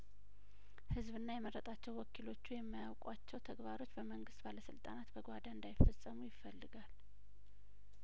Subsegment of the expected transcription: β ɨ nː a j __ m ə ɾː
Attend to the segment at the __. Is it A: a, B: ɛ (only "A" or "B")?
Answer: B